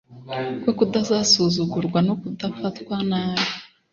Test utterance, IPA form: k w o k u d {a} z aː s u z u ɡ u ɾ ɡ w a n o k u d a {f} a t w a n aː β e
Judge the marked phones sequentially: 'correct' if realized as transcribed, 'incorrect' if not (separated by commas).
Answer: correct, correct